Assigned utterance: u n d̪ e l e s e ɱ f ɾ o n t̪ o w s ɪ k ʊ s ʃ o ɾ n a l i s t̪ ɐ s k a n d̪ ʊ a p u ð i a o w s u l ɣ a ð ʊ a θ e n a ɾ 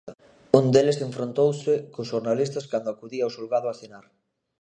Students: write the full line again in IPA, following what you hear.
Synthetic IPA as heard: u n d̪ e l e s e ɱ f ɾ o n t̪ o w s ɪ k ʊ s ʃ o ɾ n a l i s t̪ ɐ s k a n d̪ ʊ a k u ð i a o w s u l ɣ a ð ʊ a θ e n a ɾ